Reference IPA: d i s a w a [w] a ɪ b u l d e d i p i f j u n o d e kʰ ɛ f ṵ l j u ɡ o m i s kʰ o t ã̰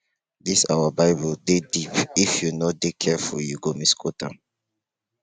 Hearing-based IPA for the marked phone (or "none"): b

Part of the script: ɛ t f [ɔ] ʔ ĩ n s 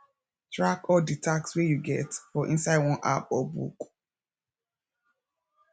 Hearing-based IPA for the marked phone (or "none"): ɔ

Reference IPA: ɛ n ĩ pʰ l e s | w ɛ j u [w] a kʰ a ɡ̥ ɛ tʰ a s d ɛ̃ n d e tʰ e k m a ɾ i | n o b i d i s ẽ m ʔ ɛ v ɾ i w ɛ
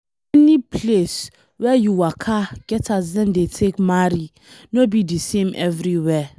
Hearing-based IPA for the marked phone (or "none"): w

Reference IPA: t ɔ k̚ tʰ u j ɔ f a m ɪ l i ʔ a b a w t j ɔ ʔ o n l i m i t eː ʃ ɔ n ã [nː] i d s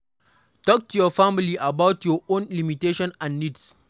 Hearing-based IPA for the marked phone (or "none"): nː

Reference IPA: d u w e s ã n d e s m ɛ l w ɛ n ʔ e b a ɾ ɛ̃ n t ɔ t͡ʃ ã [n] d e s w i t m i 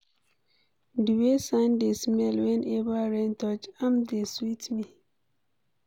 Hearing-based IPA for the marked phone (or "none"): m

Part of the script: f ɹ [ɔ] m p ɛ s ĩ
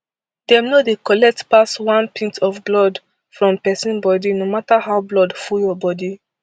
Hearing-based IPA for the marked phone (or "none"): ɔ̃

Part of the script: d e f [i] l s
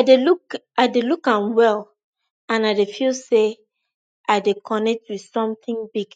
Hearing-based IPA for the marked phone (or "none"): i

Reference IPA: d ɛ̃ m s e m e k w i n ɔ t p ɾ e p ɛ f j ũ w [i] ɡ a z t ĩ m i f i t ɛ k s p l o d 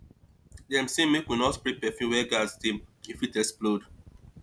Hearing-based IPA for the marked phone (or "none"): ɛ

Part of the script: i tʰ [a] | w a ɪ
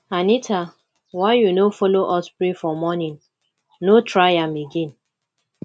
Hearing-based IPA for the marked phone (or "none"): a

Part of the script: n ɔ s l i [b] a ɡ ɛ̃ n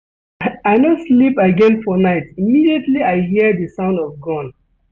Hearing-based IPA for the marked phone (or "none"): p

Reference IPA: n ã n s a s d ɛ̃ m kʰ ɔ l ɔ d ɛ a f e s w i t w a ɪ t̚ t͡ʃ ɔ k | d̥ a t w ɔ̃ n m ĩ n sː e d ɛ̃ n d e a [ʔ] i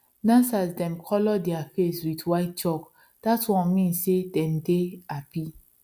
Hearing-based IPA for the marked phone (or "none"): p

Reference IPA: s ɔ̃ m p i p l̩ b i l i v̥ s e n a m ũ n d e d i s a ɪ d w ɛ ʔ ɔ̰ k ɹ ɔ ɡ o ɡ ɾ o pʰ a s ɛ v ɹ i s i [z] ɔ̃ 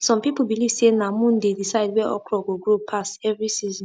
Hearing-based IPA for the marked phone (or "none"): z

